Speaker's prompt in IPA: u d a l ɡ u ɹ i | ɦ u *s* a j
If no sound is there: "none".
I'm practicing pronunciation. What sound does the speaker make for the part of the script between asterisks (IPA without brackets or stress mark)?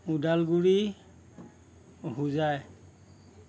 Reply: z